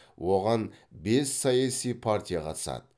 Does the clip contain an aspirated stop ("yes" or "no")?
yes